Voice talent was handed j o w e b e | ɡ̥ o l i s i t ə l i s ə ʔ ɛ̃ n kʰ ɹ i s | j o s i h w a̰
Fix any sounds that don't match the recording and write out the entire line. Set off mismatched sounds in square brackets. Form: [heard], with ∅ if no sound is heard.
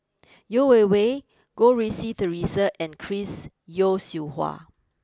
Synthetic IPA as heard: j o w e [w] e | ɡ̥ o [ɹ] i s i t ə [ɹ] i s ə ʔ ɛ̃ n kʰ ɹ i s | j o s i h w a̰